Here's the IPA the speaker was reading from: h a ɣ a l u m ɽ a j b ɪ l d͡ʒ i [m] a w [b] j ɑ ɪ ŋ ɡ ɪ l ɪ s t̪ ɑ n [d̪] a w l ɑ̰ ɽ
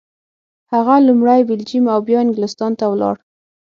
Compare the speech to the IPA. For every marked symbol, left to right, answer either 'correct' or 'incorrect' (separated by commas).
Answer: correct, correct, incorrect